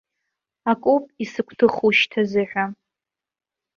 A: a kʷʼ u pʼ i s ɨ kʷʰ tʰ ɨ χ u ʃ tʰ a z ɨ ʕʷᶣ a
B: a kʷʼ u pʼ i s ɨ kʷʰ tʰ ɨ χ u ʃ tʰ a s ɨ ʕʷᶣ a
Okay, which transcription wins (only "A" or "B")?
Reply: A